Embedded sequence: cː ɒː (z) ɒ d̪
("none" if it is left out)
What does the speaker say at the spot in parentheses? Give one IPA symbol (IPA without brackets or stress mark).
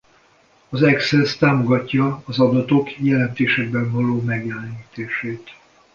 z